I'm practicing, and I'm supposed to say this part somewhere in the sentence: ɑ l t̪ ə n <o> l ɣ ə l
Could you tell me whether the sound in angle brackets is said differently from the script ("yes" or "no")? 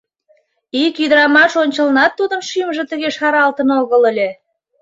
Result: no